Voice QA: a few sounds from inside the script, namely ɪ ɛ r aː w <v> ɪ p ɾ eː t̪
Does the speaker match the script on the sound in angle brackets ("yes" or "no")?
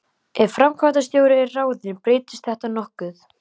no